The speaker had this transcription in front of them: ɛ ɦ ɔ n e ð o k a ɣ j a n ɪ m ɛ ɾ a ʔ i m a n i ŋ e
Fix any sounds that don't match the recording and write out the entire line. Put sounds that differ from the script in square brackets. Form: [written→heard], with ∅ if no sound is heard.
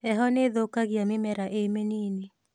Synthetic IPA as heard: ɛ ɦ ɔ n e ð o k a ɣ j a [n→m] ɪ m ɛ ɾ a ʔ [i→e] m [a→e] n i [ŋ→n] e